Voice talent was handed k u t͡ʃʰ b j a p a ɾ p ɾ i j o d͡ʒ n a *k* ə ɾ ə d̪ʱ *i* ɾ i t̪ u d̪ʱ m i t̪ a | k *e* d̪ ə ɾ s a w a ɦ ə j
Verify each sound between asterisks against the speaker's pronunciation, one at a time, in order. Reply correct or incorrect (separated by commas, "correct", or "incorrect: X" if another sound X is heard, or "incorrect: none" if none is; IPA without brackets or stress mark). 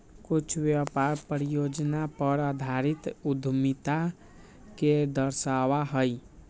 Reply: incorrect: p, incorrect: a, correct